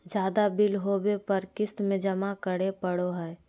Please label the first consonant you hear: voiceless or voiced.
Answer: voiced